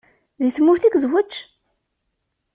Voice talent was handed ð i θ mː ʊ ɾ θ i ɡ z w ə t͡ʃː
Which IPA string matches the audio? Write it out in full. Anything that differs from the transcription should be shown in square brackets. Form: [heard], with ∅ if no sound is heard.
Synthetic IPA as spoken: ð i θ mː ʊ ɾ θ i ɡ z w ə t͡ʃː